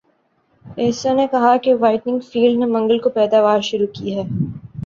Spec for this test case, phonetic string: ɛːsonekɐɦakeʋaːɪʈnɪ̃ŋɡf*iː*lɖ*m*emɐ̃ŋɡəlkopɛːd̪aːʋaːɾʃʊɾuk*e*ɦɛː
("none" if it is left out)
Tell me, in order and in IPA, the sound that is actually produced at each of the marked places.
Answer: iː, n, i

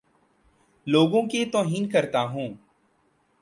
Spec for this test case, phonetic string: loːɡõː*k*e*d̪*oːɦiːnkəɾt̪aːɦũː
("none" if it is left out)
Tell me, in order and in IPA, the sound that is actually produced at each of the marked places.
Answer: k, t̪

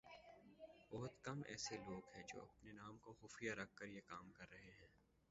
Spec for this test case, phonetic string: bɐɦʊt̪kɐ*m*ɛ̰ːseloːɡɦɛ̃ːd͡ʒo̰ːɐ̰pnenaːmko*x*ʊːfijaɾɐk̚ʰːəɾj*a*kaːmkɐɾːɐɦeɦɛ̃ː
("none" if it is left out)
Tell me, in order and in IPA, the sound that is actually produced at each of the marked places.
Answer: m, x, e

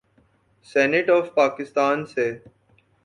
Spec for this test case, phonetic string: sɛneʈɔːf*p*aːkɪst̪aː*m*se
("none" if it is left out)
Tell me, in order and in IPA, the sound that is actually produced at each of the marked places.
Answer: p, n

